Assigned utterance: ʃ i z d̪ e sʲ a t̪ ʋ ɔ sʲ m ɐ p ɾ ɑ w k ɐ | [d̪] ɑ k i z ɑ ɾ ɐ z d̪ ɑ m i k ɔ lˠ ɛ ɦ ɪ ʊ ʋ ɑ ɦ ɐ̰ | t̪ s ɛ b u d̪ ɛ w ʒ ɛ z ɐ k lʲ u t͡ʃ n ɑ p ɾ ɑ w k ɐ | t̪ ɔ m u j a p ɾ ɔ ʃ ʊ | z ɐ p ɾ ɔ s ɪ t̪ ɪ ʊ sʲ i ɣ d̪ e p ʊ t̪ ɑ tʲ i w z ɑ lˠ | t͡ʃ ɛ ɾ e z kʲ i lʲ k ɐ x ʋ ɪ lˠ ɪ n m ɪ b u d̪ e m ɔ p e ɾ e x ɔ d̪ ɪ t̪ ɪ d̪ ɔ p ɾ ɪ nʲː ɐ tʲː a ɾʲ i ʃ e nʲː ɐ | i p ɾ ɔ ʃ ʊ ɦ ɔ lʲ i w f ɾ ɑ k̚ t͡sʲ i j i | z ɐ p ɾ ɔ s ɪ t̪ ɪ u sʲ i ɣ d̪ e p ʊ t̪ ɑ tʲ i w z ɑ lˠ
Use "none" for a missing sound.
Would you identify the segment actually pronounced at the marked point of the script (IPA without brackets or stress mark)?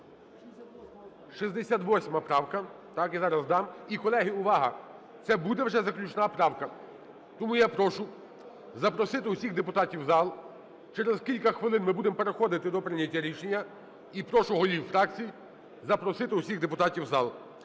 t̪